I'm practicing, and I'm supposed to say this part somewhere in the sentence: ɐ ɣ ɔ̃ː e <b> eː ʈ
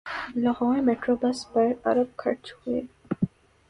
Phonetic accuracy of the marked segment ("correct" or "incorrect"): incorrect